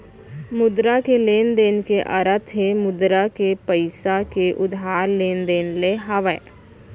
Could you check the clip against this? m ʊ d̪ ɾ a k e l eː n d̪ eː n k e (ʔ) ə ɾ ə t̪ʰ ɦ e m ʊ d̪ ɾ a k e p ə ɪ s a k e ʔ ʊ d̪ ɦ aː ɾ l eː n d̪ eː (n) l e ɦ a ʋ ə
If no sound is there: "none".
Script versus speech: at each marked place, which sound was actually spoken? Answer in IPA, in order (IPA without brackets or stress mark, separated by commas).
ʔ, n